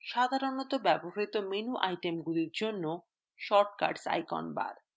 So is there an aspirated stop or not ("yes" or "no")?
no